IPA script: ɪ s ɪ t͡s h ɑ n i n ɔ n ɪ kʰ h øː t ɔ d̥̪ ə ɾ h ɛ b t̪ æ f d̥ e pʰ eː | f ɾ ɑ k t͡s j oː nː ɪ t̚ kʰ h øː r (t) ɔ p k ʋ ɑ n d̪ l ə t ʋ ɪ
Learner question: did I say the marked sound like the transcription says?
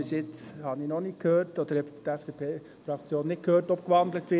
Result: yes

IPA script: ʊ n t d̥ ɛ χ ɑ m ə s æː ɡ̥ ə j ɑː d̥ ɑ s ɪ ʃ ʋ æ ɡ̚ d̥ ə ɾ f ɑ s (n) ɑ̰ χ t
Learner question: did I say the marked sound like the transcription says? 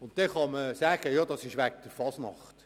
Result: yes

